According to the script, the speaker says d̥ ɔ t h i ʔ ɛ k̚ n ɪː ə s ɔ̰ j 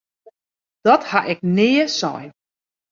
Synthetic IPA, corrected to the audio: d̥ ɔ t h a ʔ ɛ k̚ n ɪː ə s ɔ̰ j